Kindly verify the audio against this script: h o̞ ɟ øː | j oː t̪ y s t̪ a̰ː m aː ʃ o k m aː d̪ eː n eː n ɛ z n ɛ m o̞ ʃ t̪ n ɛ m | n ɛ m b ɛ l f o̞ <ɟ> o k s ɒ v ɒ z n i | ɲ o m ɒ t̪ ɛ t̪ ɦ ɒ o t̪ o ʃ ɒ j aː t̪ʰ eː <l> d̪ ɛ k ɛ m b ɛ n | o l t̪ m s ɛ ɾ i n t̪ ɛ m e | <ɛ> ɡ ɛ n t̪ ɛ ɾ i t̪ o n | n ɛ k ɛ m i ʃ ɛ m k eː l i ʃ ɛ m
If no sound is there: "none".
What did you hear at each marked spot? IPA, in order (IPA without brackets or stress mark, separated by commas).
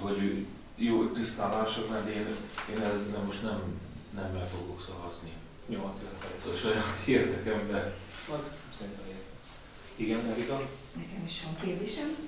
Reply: ɡ, r, i